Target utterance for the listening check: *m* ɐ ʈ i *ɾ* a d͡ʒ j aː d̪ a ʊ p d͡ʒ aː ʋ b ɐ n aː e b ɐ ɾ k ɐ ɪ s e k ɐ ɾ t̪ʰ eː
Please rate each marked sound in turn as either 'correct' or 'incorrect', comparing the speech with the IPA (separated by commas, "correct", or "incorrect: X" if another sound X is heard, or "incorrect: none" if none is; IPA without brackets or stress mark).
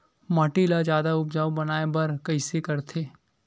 correct, incorrect: l